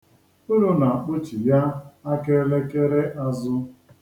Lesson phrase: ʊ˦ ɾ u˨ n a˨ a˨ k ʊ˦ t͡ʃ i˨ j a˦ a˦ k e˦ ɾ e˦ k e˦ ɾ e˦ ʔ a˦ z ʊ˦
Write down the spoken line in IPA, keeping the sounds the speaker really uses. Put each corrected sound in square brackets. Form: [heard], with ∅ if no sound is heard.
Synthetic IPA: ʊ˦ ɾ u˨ n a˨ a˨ [k͡p] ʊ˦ t͡ʃ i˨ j a˦ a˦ k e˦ [l] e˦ k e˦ ɾ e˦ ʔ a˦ z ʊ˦